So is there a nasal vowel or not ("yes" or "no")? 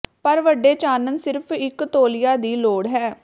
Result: no